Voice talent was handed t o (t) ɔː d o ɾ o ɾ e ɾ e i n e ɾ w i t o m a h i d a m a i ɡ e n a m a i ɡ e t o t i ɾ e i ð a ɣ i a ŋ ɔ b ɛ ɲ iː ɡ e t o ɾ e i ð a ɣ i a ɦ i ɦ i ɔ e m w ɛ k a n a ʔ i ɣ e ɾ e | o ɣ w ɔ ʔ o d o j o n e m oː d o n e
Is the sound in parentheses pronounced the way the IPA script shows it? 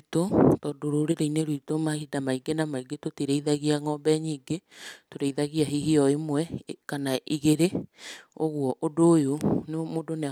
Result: yes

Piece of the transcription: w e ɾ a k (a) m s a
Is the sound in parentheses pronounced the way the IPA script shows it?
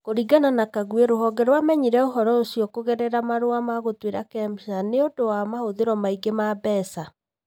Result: no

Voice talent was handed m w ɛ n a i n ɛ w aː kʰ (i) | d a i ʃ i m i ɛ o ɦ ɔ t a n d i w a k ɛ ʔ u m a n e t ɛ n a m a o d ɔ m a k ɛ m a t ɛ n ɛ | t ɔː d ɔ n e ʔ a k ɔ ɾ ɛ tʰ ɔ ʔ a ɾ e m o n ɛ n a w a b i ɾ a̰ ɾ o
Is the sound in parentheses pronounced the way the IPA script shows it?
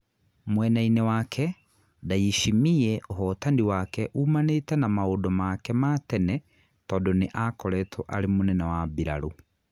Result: no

